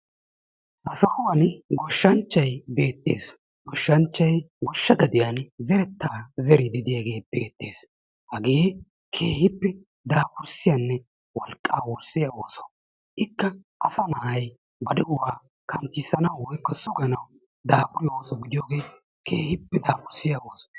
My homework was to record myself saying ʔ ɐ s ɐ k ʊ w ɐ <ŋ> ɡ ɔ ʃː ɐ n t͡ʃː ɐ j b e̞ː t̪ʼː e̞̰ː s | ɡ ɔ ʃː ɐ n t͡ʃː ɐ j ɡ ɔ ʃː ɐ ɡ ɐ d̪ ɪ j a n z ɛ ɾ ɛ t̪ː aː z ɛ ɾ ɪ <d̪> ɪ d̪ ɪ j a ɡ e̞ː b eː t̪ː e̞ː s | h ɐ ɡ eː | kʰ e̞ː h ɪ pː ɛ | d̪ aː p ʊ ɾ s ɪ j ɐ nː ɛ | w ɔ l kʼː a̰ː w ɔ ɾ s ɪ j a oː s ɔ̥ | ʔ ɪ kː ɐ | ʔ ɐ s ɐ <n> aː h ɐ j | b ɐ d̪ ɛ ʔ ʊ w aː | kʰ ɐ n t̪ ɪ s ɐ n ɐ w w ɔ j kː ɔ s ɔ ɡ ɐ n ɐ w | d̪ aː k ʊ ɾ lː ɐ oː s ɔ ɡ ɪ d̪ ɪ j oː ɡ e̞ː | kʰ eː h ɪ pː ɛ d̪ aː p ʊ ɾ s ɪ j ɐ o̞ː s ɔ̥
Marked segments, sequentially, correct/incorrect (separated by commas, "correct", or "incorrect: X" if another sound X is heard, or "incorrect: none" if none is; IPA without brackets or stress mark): incorrect: n, correct, correct